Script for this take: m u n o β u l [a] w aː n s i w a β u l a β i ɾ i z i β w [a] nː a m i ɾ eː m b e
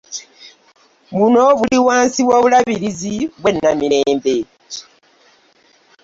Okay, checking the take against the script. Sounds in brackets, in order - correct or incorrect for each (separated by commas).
incorrect, incorrect